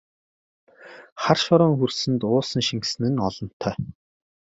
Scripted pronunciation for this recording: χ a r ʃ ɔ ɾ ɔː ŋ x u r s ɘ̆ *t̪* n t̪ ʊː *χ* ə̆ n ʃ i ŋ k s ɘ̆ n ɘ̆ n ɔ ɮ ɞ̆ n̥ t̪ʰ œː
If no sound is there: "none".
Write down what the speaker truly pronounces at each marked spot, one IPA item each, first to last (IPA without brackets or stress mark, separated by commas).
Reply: none, s